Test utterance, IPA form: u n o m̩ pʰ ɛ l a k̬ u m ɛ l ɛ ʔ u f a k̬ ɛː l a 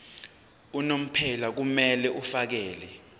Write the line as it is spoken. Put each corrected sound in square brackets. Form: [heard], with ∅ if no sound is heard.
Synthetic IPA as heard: u n o m̩ pʰ ɛ l a k̬ u m ɛ l ɛ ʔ u f a k̬ ɛː l [ɛ]